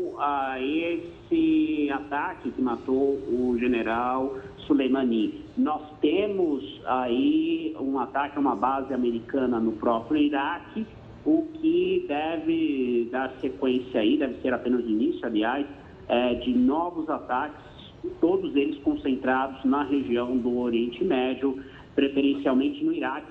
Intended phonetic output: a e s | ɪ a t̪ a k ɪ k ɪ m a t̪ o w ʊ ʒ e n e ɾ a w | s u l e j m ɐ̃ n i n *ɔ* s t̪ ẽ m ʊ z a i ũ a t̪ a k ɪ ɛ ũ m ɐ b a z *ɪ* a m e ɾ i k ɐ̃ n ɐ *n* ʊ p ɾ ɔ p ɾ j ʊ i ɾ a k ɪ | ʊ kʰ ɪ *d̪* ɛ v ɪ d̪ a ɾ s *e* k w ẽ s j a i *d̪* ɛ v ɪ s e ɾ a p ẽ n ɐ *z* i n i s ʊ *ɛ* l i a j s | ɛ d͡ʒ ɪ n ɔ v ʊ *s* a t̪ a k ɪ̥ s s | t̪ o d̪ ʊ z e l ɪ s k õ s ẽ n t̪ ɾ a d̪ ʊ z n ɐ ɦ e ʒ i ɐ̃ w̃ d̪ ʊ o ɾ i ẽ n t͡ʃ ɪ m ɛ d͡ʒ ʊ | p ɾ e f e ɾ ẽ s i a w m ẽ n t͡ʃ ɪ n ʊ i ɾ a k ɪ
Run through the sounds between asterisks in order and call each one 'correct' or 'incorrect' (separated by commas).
correct, correct, correct, correct, correct, correct, correct, incorrect, incorrect